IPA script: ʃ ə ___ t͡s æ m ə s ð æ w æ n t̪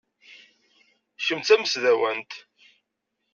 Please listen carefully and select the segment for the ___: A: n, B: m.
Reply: B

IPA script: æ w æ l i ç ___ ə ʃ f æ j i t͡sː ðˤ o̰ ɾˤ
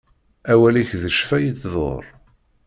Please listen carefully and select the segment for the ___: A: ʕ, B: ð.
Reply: B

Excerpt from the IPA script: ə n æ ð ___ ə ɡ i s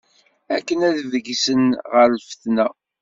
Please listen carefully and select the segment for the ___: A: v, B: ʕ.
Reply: A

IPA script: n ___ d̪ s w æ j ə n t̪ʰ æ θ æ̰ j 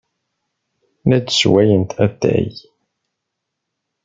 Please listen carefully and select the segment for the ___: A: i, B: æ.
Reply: B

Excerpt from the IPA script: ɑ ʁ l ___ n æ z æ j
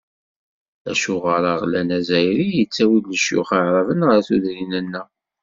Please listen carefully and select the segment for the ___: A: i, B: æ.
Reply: B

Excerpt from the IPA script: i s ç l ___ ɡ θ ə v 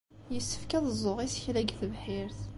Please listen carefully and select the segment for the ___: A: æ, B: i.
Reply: A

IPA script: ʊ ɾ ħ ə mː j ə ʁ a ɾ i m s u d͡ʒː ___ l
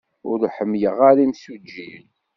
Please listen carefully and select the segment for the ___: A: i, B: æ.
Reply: A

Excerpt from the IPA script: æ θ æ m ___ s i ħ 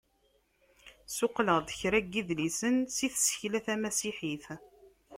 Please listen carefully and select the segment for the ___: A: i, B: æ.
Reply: B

